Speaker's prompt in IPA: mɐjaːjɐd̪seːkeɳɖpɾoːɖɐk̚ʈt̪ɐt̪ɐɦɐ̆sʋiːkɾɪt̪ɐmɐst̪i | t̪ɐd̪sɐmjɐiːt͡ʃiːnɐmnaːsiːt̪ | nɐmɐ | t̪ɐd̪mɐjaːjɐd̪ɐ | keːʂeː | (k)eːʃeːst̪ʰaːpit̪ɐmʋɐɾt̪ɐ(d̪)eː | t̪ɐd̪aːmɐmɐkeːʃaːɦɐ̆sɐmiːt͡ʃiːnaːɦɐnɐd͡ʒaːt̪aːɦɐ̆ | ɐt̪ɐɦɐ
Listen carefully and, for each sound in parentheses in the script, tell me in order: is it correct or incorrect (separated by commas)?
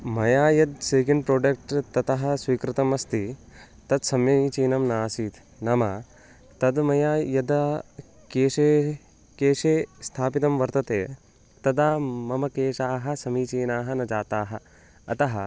correct, incorrect